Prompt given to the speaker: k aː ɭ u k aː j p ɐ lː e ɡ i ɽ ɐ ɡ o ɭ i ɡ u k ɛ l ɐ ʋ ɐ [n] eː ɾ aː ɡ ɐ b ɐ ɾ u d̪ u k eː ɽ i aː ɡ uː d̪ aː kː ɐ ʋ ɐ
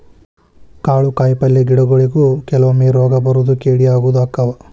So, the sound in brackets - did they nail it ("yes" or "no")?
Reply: no